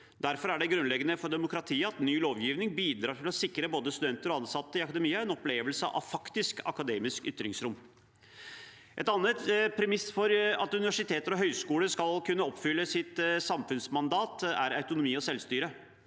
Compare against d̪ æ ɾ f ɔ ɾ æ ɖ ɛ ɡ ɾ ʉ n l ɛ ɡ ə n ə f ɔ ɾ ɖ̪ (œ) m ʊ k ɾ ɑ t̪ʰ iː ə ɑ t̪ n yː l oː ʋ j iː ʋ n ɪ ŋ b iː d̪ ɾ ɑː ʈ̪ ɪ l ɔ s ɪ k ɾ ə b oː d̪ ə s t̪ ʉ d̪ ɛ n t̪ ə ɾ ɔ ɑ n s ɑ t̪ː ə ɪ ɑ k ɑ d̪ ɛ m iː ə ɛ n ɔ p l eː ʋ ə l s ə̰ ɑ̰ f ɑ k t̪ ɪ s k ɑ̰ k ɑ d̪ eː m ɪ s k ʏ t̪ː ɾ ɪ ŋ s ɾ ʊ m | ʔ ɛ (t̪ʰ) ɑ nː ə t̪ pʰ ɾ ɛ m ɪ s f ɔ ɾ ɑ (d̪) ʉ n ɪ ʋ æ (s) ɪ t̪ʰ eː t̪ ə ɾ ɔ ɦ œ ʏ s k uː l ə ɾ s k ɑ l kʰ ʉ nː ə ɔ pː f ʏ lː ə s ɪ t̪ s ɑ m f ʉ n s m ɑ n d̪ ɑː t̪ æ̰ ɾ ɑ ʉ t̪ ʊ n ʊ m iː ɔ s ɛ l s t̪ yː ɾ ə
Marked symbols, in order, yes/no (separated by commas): no, no, no, no